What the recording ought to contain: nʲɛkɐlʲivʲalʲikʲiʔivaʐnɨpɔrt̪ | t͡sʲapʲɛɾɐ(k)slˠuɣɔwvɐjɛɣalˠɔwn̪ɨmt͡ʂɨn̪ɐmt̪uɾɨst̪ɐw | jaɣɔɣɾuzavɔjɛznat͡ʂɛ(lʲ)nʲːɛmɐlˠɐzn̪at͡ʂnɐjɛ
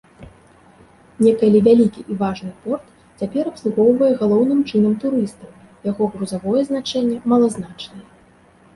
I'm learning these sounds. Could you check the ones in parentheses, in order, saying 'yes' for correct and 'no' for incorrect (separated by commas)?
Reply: no, no